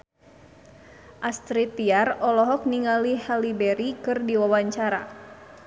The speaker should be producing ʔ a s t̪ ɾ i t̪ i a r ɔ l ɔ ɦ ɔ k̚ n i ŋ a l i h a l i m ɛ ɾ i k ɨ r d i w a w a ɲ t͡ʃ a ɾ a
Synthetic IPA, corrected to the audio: ʔ a s t̪ ɾ i t̪ i a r ɔ l ɔ ɦ ɔ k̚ n i ŋ a l i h a l i b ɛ ɾ i k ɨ r d i w a w a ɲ t͡ʃ a ɾ a